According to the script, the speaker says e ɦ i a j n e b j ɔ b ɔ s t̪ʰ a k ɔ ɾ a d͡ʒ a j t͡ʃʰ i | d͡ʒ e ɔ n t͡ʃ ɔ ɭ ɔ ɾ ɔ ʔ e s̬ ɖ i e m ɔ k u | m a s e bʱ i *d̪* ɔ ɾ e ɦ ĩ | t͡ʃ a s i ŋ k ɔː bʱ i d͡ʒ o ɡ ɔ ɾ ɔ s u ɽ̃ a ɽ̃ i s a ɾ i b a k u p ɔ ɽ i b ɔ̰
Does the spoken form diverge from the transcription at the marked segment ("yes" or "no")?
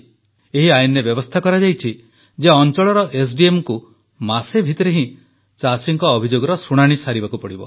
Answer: yes